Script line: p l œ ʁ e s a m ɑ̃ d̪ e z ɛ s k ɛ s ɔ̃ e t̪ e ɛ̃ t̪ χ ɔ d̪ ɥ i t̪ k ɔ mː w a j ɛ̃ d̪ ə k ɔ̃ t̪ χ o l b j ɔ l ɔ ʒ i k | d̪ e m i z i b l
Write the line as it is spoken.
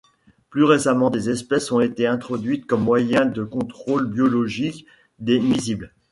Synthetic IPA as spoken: p l y ʁ e s a m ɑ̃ d̪ e z ɛ s p ɛ s ɔ̃ e t̪ e ɛ̃ t̪ χ ɔ d̪ ɥ i t̪ k ɔ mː w a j ɛ̃ d̪ ə k ɔ̃ t̪ χ o l b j ɔ l ɔ ʒ i k | d̪ e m i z i b l